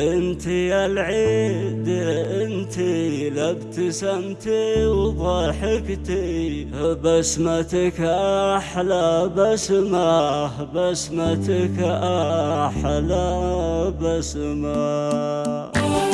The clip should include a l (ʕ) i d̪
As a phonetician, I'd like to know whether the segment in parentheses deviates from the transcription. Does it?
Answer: no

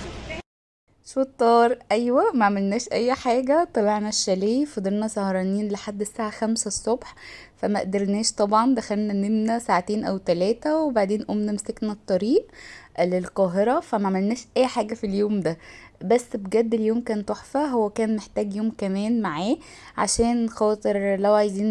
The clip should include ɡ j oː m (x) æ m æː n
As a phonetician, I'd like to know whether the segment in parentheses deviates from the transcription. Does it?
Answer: yes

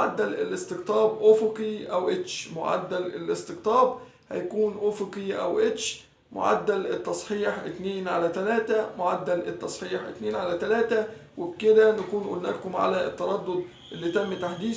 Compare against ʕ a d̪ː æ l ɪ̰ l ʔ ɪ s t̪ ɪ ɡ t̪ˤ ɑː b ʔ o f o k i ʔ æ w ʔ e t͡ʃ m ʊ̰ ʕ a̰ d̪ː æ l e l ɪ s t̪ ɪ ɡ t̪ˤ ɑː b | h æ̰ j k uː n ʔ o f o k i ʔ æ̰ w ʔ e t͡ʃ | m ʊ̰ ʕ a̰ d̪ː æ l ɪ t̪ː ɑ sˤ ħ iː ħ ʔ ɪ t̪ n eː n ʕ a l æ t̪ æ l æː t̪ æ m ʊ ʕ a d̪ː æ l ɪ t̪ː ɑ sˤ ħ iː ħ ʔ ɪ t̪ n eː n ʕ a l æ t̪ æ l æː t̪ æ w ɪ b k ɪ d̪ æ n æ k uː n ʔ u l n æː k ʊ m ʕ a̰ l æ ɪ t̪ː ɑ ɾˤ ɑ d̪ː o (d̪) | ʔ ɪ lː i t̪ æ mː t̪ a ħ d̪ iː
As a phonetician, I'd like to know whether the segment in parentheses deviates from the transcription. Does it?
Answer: no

